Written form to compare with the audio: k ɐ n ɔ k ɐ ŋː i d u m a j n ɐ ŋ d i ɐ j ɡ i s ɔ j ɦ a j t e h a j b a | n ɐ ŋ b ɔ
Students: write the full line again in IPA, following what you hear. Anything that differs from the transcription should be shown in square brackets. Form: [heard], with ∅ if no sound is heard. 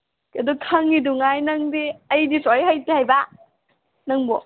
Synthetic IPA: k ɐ [d] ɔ [kʰ] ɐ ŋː i d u [ŋ] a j n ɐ ŋ d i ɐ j [d] i s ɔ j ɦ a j t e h a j b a | n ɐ ŋ b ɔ